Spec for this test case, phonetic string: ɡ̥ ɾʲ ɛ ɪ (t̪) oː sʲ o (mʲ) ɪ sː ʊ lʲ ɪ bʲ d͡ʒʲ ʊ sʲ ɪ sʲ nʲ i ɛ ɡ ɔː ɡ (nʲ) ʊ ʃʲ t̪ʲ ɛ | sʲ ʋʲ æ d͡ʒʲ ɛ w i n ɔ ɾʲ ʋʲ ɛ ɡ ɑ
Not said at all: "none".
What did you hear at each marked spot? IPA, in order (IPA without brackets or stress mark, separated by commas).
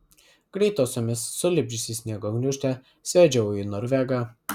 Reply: t̪, mʲ, nʲ